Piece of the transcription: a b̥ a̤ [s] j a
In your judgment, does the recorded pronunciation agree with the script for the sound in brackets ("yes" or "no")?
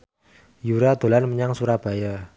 no